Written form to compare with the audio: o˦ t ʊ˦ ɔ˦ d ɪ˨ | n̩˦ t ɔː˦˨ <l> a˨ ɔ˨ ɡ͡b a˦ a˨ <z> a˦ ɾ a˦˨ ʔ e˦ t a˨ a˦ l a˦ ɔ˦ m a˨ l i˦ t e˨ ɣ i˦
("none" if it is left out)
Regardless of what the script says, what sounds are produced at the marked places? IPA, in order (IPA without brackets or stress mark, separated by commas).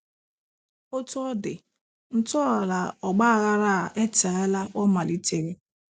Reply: l, ɣ